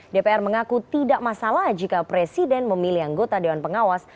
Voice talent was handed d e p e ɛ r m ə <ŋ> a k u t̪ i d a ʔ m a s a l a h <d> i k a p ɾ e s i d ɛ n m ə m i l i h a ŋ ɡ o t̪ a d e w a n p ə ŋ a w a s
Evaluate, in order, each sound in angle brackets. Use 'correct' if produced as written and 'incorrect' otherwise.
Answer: correct, incorrect

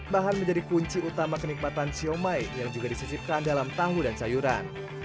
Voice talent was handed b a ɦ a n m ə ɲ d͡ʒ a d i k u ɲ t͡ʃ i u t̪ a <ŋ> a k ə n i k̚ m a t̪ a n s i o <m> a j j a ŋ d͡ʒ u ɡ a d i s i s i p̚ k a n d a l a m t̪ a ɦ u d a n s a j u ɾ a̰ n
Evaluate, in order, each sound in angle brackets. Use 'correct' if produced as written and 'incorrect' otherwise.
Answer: incorrect, correct

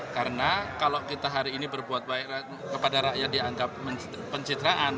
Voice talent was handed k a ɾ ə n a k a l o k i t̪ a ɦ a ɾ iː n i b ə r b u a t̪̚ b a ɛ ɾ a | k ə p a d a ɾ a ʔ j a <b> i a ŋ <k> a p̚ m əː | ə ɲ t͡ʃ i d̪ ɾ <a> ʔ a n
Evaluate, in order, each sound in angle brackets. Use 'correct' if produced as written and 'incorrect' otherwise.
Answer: incorrect, incorrect, correct

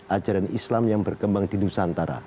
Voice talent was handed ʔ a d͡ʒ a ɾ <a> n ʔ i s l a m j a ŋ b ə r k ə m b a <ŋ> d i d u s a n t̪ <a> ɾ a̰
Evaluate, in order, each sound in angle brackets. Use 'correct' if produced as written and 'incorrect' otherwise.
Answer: correct, correct, correct

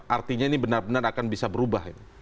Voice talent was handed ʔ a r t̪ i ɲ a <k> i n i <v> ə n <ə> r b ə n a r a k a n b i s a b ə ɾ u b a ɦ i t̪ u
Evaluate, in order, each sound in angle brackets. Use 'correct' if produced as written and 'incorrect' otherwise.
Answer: incorrect, incorrect, incorrect

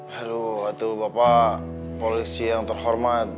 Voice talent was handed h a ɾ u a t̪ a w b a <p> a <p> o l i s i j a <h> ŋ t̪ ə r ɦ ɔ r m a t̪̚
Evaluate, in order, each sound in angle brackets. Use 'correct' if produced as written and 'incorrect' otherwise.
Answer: correct, correct, incorrect

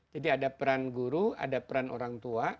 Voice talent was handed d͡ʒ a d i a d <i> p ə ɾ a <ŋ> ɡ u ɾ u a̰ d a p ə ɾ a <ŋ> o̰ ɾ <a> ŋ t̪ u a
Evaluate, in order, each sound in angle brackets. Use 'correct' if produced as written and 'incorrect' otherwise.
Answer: incorrect, incorrect, incorrect, correct

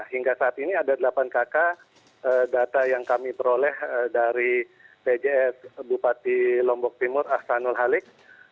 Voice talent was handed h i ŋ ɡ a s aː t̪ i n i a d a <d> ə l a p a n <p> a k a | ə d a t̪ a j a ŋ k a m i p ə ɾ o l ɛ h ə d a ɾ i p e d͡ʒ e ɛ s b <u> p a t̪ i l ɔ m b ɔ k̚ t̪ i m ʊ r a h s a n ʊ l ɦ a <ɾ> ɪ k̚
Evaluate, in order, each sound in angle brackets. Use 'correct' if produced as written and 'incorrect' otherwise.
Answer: correct, incorrect, correct, incorrect

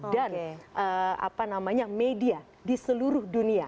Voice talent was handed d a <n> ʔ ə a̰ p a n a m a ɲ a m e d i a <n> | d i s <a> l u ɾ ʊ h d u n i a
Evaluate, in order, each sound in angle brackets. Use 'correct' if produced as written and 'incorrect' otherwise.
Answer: correct, incorrect, incorrect

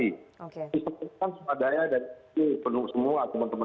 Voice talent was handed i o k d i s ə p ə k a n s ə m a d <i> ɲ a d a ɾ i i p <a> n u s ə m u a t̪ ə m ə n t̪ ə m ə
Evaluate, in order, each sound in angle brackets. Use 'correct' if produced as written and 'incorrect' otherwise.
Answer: incorrect, incorrect

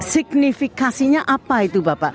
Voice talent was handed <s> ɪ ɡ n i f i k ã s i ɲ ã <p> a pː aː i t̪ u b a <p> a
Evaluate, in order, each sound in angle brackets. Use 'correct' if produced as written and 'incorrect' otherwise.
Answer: correct, incorrect, correct

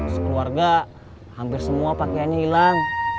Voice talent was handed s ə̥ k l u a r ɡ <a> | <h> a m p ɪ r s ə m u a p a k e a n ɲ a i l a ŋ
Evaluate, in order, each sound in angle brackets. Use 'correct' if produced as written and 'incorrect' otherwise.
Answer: correct, correct

